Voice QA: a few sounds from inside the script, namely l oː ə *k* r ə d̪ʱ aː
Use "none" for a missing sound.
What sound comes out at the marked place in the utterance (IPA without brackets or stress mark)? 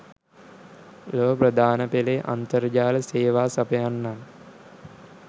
p